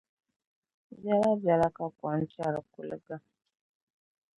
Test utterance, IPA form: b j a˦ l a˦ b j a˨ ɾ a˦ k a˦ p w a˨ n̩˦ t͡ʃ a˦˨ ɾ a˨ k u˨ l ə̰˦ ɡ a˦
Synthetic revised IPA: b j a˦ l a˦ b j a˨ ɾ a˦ k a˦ k w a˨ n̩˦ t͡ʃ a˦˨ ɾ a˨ k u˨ l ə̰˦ ɡ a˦